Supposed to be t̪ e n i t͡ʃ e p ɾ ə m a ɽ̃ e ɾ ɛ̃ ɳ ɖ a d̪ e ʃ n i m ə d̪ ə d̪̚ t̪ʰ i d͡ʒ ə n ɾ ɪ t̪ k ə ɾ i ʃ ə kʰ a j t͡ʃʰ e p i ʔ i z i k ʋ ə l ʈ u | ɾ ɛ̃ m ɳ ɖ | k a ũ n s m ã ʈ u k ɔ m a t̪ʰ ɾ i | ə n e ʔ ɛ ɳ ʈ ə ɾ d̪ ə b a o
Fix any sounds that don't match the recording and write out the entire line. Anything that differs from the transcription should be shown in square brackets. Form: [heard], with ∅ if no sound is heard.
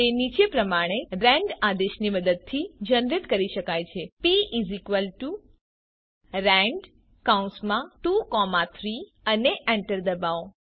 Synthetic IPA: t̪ e n i t͡ʃ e p ɾ ə m a ɽ̃ e ɾ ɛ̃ ɳ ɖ a d̪ e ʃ n i m ə d̪ ə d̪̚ t̪ʰ i d͡ʒ ə n ɾ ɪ t̪ k ə ɾ i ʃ ə [k] a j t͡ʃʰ e p i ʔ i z i k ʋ ə l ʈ u | ɾ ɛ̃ [∅] ɳ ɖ | k a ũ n s m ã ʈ u k ɔ m a t̪ʰ ɾ i | ə n e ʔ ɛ ɳ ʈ ə ɾ d̪ ə b a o